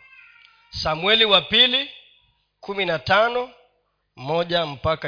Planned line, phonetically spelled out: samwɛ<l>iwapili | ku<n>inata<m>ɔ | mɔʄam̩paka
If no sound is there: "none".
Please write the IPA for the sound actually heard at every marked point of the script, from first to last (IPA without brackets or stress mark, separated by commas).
l, m, n